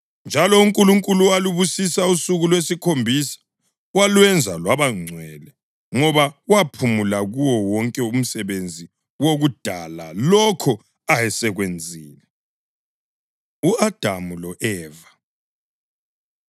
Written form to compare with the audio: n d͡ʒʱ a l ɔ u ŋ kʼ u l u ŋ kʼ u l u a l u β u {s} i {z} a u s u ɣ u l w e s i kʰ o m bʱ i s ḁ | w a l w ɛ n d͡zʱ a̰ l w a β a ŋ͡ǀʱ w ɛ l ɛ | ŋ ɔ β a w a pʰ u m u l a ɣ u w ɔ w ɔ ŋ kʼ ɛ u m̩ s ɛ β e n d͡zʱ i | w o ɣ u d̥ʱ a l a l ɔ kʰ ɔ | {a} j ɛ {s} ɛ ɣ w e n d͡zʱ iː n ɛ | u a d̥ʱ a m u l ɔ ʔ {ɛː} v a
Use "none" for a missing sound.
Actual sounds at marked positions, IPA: s, s, a, s, ɛː

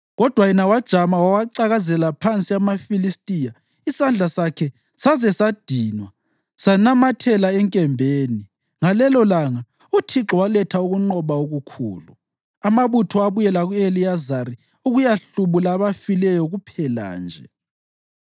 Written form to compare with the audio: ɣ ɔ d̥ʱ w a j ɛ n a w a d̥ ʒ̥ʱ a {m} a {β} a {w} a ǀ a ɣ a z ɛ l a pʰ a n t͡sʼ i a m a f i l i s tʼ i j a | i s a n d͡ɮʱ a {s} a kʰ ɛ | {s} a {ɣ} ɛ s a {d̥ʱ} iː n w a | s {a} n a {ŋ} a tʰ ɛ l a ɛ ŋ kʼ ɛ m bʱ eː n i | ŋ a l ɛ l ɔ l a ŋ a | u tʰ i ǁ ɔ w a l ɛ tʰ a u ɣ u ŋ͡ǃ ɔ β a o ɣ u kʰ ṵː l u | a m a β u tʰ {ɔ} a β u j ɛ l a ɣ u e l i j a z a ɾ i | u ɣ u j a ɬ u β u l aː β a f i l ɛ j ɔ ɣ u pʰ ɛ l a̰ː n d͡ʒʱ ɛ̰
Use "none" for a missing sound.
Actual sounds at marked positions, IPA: m, w, w, s, s, z, d̥ʱ, a, m, ɔ

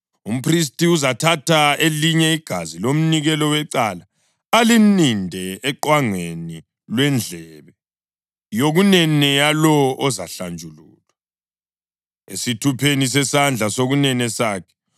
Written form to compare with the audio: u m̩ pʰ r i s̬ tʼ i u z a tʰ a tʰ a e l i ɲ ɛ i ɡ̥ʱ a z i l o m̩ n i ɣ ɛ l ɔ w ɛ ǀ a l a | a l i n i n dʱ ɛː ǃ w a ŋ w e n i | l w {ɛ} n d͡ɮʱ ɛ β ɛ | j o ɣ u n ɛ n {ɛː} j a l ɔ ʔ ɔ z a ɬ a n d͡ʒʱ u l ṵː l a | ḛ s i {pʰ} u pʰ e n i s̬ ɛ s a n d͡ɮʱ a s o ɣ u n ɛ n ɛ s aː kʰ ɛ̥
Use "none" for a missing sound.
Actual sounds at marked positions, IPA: ɛ, ɛ, tʰ

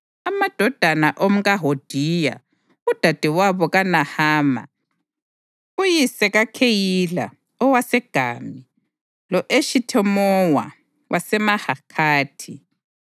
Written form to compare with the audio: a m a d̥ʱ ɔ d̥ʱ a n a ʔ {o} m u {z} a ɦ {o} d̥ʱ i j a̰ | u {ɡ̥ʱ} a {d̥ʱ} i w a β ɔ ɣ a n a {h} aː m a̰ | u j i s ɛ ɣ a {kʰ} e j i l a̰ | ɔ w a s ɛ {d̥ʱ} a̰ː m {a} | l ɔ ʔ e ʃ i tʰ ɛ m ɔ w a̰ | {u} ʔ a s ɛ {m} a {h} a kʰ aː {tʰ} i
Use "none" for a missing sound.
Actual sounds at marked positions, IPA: o, ɣ, o, d̥ʱ, d̥ʱ, h, kʰ, ɡ̥ʱ, i, w, m, h, tʰ

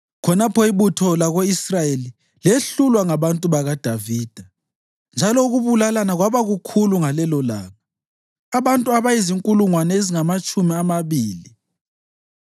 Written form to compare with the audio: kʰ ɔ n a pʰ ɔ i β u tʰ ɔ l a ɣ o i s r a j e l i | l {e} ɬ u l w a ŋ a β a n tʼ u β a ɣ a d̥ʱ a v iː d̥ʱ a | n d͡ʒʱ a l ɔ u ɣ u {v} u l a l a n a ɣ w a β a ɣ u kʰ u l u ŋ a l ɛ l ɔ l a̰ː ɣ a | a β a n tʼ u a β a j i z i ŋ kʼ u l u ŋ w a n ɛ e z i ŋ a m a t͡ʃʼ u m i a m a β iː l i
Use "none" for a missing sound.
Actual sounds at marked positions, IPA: e, β

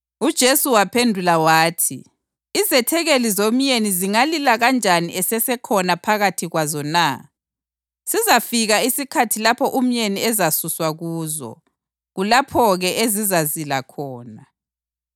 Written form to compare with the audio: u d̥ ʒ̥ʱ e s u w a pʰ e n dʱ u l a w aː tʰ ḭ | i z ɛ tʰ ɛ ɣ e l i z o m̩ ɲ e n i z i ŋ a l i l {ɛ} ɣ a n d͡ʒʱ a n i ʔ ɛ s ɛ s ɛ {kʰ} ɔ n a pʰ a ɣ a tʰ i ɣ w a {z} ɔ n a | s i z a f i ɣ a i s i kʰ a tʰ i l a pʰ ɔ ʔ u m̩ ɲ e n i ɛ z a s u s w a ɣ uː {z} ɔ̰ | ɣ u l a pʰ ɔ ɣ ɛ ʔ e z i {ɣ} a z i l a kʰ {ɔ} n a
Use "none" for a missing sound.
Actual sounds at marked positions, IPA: a, kʰ, z, z, z, ɔː

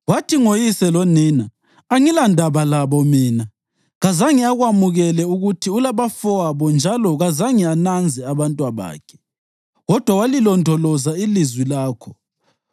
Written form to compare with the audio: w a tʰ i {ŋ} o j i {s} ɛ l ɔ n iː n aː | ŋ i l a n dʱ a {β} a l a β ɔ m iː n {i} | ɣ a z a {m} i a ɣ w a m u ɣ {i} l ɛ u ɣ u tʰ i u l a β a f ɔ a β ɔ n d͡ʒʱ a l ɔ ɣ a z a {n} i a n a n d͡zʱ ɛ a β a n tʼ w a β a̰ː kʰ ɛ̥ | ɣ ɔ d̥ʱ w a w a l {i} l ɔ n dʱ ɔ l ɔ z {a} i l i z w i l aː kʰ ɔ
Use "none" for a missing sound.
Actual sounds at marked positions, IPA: ŋ, s, β, a, ŋ, ɛ, ŋ, i, a

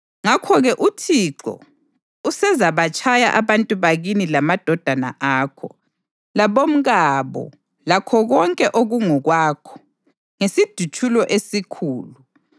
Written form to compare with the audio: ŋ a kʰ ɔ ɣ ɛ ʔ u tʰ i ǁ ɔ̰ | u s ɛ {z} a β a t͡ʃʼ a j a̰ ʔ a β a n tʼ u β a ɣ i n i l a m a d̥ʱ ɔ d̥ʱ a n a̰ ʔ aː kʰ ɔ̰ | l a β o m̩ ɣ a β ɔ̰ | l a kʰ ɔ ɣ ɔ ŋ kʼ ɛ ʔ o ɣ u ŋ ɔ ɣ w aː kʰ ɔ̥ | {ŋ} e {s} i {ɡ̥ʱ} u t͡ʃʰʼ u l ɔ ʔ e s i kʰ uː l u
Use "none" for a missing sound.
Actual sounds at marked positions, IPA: z, ŋ, s, d̥ʱ

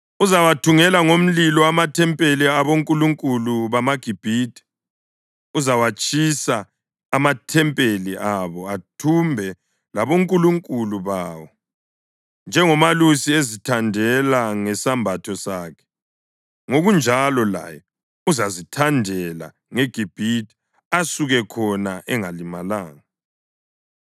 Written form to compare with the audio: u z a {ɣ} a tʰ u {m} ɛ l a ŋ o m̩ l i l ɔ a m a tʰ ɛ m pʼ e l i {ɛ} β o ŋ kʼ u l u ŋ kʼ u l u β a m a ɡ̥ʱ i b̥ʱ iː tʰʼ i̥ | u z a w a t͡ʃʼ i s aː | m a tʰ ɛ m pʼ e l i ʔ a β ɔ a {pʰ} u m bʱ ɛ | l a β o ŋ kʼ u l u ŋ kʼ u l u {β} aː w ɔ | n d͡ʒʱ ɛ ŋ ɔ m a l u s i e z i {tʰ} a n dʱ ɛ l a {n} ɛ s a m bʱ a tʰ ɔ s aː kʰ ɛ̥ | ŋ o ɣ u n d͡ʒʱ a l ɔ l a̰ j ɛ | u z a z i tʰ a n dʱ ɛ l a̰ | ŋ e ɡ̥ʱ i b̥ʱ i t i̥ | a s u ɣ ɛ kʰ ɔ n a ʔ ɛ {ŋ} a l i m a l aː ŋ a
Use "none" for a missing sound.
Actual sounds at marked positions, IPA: w, ŋ, a, tʰ, β, tʰ, ŋ, ŋ

